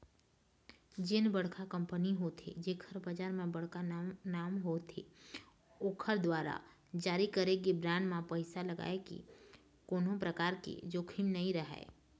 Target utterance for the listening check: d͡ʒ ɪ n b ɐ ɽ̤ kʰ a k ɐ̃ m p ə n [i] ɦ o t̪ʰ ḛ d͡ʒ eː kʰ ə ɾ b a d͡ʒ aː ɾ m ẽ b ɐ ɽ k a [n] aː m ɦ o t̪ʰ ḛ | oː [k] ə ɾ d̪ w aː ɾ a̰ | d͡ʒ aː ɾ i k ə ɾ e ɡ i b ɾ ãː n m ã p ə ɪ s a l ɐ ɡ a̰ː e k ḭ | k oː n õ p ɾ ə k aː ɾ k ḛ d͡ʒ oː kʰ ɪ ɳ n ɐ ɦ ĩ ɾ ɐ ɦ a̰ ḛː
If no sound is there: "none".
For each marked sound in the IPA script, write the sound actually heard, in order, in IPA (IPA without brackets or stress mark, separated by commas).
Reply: i, n, kʰ